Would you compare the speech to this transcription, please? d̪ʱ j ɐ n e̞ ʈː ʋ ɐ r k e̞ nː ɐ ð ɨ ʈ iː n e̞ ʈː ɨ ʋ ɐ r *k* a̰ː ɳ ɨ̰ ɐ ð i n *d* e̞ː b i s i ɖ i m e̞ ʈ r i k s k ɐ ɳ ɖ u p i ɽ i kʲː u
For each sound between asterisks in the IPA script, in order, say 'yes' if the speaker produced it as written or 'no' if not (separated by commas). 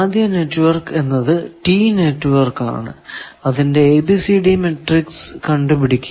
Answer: yes, yes